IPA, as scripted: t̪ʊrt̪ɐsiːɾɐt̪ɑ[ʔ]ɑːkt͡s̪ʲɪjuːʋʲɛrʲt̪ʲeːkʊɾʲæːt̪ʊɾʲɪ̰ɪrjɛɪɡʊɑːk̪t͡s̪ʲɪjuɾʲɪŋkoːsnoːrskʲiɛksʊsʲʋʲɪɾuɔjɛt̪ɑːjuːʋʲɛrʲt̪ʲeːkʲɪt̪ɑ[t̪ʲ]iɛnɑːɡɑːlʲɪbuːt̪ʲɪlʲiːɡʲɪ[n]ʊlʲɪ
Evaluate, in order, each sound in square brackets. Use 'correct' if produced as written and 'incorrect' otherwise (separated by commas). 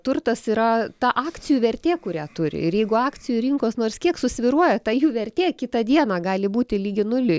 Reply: correct, incorrect, correct